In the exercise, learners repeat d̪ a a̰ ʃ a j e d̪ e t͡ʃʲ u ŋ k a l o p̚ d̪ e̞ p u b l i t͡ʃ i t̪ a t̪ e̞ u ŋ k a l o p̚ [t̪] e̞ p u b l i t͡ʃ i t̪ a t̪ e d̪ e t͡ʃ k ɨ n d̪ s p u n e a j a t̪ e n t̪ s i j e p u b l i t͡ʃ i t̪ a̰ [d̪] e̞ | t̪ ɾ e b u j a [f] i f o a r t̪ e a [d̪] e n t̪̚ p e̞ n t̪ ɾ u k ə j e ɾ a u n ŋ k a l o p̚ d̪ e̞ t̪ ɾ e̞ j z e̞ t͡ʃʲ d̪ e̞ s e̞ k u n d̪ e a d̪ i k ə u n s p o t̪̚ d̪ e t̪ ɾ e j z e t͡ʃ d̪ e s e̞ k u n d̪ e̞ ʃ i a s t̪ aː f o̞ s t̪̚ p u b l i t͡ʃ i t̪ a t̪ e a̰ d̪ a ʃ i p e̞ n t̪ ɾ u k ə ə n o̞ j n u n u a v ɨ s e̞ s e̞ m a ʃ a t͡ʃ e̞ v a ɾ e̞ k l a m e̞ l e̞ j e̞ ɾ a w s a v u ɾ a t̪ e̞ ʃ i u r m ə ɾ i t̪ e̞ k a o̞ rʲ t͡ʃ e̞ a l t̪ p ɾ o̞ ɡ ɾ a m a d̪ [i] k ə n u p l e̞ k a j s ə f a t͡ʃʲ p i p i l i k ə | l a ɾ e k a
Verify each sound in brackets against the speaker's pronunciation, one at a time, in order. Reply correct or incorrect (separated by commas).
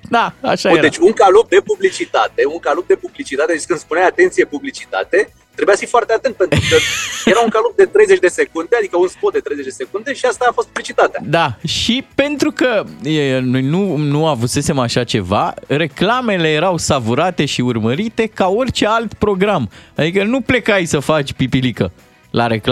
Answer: incorrect, incorrect, correct, incorrect, correct